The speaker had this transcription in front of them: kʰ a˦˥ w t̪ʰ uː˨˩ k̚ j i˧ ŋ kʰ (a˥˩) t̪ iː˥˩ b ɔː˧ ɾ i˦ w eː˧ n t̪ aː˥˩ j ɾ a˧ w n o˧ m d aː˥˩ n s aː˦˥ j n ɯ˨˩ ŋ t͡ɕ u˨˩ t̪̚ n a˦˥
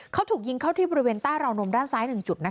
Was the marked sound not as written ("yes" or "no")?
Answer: no